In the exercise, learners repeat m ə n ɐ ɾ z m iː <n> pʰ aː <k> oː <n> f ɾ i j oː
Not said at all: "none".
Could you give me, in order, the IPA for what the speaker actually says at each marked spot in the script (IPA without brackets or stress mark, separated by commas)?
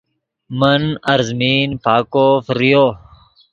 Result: n, k, none